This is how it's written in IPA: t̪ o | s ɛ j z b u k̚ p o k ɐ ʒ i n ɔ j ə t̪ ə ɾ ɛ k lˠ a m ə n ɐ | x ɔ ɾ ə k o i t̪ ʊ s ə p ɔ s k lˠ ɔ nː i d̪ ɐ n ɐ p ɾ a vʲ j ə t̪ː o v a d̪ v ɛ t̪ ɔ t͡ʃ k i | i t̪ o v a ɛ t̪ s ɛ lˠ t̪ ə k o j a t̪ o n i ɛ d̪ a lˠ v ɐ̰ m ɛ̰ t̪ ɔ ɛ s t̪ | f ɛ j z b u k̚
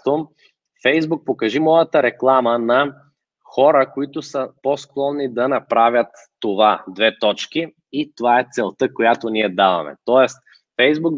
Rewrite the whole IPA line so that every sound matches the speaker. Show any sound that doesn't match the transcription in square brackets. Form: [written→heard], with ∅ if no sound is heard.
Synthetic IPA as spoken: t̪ o | [s→f] ɛ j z b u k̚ p o k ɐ ʒ i [n→m] ɔ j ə t̪ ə ɾ ɛ k lˠ a m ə n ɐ | x ɔ ɾ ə k o i t̪ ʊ s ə p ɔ s k lˠ ɔ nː i d̪ ɐ n ɐ p ɾ a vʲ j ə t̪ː o v a d̪ v ɛ t̪ ɔ t͡ʃ k i | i t̪ o v a ɛ t̪ s ɛ lˠ t̪ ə k o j a t̪ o n i ɛ d̪ a [lˠ→∅] v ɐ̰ m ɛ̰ t̪ ɔ ɛ s t̪ | f ɛ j z b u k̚